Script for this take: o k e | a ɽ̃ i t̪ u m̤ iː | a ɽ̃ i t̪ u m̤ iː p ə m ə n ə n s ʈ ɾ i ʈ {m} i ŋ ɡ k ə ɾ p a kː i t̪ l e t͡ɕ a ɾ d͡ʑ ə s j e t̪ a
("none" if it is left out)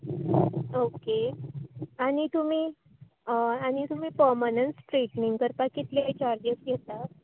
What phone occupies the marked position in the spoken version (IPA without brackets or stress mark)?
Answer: n